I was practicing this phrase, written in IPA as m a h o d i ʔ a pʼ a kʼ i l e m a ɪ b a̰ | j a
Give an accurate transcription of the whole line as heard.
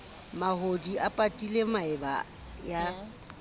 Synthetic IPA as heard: m a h o d i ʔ a pʼ a tʼ i l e m a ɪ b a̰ | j a